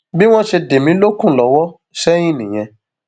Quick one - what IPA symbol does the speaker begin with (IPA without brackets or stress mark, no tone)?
b